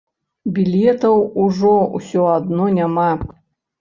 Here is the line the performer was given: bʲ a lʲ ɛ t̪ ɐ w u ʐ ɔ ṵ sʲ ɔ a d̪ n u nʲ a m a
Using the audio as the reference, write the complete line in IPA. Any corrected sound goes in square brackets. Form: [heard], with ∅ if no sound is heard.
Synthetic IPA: bʲ [i] lʲ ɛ t̪ ɐ w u ʐ ɔ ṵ sʲ ɔ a d̪ n [ɔ] nʲ a m a